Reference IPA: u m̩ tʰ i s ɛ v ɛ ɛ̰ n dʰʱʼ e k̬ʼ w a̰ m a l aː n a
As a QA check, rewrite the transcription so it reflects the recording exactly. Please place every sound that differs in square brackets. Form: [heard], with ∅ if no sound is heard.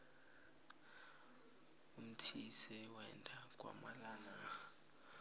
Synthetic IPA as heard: u m̩ tʰ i s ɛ [w] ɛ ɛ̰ n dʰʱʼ [a] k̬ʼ w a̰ m a l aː n a

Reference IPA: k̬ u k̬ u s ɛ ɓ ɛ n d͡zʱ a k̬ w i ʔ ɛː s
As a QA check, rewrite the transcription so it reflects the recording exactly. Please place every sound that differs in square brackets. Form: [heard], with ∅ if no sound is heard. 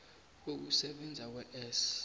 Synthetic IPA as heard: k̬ [o] k̬ u s ɛ ɓ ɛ n d͡zʱ a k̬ w [ɛ] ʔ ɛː s

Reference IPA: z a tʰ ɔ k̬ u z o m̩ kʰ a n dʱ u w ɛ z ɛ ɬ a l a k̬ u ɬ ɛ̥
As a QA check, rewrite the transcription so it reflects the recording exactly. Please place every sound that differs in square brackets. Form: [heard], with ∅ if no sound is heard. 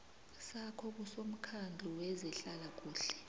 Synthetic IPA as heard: [s] a [kʰ] ɔ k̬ u [s] o m̩ kʰ a n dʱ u w ɛ z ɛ ɬ a l a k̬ [uː] ɬ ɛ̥

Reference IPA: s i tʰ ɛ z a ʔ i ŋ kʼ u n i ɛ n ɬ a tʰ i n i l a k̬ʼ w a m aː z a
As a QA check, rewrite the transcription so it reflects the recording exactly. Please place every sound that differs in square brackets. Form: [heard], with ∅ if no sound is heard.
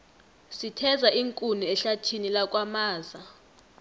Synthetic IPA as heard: s i tʰ ɛ z a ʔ i ŋ kʼ u n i ɛ [∅] ɬ a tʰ i n i l a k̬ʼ w a m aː z a

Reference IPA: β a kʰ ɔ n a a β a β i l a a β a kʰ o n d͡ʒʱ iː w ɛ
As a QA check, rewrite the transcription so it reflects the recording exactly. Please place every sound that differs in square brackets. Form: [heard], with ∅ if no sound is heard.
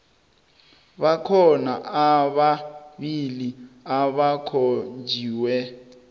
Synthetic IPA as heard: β a kʰ ɔ n a a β a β i l [i] a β a kʰ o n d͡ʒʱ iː w ɛ

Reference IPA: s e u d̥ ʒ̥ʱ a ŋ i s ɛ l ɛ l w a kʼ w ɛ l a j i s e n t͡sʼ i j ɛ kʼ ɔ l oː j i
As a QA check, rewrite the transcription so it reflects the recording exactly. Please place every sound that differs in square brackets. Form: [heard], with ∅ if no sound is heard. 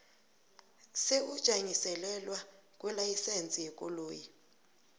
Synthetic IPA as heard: s e u d̥ ʒ̥ʱ a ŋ i s ɛ l ɛ l w a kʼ w ɛ l a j i s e n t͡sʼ i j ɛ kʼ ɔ l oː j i

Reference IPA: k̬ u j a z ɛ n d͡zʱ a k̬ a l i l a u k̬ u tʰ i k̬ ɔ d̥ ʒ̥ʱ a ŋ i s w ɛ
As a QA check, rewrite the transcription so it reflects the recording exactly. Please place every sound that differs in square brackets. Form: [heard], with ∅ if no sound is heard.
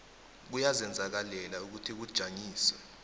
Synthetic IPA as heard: k̬ u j a z ɛ n d͡zʱ a k̬ a l [ɛ] l a u k̬ u tʰ i k̬ [u] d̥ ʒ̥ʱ a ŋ [iː] s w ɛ

